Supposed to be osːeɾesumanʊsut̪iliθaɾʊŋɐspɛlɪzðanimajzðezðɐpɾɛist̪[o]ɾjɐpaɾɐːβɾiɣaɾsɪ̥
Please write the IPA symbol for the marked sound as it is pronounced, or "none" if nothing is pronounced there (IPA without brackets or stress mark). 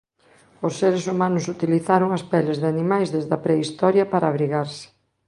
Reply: ɔ